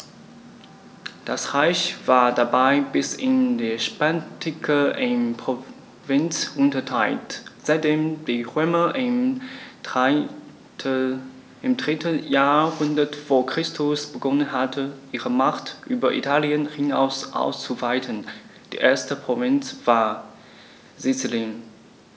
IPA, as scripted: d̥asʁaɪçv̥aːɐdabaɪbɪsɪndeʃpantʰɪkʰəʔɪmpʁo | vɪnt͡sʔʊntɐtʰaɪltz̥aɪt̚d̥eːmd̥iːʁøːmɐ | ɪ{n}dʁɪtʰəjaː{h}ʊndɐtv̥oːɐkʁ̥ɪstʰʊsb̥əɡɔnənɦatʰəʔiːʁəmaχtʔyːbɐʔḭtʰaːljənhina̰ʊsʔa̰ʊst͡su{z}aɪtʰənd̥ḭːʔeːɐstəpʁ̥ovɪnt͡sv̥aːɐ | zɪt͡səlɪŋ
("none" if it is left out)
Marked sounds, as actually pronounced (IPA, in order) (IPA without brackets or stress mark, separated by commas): m, h, v